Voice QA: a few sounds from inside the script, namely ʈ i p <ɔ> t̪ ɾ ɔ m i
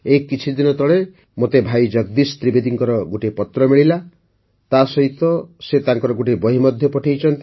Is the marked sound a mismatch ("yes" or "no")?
no